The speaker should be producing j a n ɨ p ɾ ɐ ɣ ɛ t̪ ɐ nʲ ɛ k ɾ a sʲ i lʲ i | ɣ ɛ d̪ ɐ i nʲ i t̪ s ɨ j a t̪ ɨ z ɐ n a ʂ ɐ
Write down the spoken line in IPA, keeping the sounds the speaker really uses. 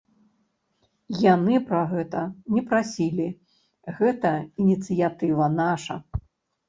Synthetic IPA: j a n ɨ p ɾ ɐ ɣ ɛ t̪ ɐ nʲ ɛ p ɾ a sʲ i lʲ i | ɣ ɛ t̪ ɐ i nʲ i t̪ s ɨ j a t̪ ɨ v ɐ n a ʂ ɐ